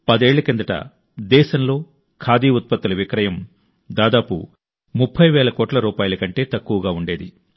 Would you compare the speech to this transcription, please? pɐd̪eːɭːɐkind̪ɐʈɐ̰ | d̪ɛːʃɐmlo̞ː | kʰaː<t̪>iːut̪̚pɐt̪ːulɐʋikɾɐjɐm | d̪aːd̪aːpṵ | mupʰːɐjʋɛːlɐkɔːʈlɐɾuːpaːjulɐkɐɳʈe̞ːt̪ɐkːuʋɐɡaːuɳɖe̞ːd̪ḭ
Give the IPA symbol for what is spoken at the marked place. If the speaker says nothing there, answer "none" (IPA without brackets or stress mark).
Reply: d̪